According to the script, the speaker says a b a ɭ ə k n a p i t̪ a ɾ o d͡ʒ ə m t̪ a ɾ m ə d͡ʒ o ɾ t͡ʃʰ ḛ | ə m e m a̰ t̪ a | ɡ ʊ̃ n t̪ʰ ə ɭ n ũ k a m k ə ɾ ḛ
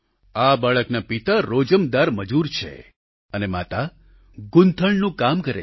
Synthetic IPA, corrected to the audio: a b a ɭ ə k n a p i t̪ a ɾ o d͡ʒ ə m d̪ a ɾ m ə d͡ʒ u ɾ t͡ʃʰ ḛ | ə n e m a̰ t̪ a | ɡ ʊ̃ n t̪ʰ ə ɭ n ũ k a m k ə ɾ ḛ